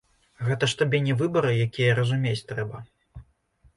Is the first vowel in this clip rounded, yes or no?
no